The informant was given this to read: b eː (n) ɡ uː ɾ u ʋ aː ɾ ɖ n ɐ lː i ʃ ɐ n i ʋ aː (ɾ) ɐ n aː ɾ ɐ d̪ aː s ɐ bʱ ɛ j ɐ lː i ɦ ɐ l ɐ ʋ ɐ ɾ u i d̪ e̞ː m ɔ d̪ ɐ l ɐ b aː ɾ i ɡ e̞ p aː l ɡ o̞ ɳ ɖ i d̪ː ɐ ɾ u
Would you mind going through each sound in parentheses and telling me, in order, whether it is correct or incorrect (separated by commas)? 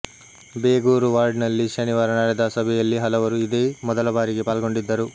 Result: incorrect, correct